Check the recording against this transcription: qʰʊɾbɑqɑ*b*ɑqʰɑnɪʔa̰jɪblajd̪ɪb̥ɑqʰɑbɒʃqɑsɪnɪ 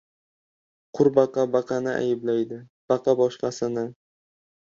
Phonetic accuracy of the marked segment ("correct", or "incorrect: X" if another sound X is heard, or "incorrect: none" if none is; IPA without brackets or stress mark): correct